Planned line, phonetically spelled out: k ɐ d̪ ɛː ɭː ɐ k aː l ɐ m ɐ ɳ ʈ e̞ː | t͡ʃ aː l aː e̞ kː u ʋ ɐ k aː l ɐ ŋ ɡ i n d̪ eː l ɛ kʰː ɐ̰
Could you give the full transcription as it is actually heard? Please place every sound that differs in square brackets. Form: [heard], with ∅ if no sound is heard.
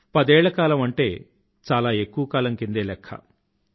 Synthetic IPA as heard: [p] ɐ d̪ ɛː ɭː ɐ k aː l ɐ m ɐ ɳ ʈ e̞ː | t͡ʃ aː l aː e̞ kː u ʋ ɐ k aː l ɐ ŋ [k] i n d̪ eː l ɛ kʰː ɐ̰